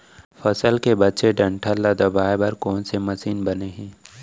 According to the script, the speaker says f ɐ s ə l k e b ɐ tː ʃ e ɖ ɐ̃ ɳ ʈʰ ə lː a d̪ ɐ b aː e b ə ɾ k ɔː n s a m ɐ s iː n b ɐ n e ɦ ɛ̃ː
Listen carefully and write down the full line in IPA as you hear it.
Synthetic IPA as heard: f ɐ s ə l k e b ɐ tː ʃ e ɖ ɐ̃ ɳ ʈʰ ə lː a d̪ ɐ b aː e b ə ɾ k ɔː n s e m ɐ s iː n b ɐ n e ɦ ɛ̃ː